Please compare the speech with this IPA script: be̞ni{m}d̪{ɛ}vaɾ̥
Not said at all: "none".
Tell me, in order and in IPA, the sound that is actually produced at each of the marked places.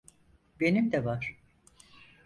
m, ɛ

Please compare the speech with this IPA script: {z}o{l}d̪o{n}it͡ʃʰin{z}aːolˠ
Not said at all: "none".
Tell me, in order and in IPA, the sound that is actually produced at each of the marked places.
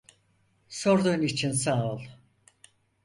s, ɾ, n, s

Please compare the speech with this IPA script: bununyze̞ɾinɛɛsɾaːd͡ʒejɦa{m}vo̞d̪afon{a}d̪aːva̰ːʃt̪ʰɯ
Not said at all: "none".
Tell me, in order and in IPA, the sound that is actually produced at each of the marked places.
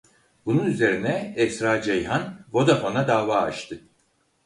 n, a

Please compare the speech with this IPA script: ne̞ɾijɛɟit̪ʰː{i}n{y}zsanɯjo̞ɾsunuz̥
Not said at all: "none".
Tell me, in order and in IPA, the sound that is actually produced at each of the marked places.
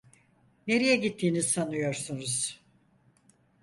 iː, i

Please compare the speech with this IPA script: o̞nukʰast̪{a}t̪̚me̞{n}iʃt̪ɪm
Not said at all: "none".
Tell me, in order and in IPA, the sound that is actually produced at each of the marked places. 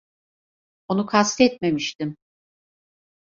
ɛ, m

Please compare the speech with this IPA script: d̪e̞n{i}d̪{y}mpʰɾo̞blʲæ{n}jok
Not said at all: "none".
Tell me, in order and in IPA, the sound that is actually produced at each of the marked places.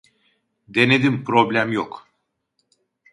e, i, m

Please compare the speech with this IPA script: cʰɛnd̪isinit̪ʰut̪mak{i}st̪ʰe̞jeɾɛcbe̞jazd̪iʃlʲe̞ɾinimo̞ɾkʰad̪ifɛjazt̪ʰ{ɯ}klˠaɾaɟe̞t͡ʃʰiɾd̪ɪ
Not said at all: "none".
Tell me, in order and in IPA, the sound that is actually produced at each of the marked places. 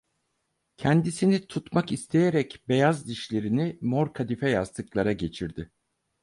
i, ɯ

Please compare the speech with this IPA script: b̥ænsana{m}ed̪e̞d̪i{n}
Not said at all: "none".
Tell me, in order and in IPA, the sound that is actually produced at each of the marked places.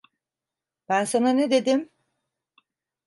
n, m

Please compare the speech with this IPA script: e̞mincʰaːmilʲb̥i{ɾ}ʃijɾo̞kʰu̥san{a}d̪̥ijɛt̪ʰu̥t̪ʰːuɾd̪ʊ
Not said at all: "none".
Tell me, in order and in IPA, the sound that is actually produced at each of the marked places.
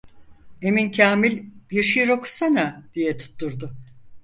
ɾ, a

